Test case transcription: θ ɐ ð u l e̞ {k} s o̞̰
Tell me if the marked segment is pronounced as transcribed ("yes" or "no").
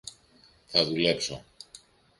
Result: no